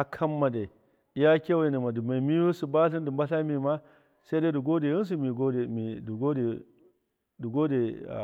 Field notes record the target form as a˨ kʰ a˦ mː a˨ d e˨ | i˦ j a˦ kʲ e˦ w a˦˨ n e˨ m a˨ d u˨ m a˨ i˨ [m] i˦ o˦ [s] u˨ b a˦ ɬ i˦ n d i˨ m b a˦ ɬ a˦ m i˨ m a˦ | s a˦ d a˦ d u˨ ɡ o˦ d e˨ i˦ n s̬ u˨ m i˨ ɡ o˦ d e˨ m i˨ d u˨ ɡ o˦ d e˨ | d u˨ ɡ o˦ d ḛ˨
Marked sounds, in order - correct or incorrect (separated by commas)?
correct, correct